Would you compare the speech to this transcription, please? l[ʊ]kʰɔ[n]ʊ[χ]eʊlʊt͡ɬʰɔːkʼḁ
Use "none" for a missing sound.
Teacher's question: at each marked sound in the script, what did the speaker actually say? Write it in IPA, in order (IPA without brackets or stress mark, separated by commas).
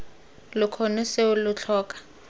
ʊ, n, s